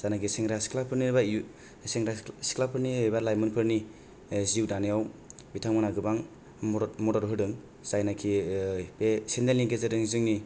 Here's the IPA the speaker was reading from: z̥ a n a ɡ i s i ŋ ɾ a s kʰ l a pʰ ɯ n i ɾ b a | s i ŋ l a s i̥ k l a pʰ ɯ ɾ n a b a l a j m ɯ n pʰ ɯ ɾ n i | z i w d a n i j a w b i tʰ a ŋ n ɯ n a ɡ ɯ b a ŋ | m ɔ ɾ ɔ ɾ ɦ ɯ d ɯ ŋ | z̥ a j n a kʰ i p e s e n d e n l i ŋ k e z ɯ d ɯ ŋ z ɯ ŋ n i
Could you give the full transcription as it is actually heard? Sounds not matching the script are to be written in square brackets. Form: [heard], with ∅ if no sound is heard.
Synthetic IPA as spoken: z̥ a n a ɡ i s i ŋ ɾ a s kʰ l a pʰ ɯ n i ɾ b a | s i ŋ [ɾ] a s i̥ k l a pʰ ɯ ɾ n [i] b a l a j m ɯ n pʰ ɯ ɾ n i | z i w d a n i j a w b i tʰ a ŋ [m] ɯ n a ɡ ɯ b a ŋ | m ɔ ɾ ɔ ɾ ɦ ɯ d ɯ ŋ | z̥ a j n a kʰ i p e s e n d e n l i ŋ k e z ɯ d ɯ ŋ z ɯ ŋ n i